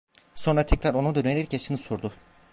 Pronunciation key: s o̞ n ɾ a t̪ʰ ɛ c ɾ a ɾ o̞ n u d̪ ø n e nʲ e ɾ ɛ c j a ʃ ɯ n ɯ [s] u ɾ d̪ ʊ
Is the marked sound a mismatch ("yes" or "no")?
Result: no